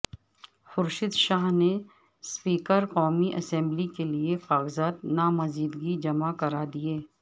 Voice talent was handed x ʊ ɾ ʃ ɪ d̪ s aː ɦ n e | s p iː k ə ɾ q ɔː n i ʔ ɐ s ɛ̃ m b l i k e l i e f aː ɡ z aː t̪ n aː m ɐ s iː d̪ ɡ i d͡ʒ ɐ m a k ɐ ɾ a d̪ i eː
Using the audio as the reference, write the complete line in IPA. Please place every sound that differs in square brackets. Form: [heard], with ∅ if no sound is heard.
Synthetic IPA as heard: x ʊ ɾ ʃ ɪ d̪ [ʃ] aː ɦ n e | s p iː k ə ɾ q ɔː [m] i ʔ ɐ s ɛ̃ m b l i k e l i e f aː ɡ z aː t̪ n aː m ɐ [z] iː d̪ ɡ i d͡ʒ ɐ m a k ɐ ɾ a d̪ i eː